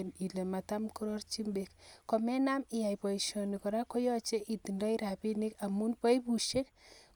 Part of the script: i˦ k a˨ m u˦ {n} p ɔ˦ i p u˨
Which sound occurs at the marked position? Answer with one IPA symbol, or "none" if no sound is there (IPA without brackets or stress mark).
n